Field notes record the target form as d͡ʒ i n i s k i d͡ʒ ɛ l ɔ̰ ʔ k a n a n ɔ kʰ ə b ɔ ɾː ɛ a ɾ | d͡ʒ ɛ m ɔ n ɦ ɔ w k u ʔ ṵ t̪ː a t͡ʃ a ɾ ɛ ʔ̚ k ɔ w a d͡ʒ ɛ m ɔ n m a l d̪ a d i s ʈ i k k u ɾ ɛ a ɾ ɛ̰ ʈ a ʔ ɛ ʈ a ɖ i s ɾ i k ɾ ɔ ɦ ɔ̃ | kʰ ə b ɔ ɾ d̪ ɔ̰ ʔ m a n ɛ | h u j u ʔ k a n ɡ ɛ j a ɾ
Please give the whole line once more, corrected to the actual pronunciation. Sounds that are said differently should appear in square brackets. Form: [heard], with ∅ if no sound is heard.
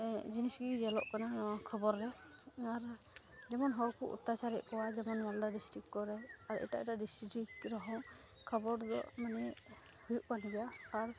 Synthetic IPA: d͡ʒ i n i s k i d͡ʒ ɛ l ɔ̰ ʔ k a n a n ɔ kʰ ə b ɔ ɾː ɛ a ɾ | d͡ʒ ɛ m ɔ n ɦ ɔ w k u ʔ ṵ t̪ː a t͡ʃ a ɾ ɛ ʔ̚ k ɔ w a d͡ʒ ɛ m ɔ n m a l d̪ a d i s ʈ i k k [ɔ] ɾ ɛ a ɾ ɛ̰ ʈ a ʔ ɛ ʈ a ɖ i s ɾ i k ɾ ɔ ɦ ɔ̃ | kʰ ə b ɔ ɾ d̪ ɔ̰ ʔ m a n ɛ | h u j u ʔ k a n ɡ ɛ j a ɾ